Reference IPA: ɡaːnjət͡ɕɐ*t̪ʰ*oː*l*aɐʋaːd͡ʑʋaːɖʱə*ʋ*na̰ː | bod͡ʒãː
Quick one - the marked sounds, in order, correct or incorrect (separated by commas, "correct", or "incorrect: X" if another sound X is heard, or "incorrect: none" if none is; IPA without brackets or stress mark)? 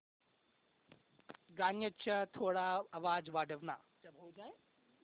correct, incorrect: ɽ, correct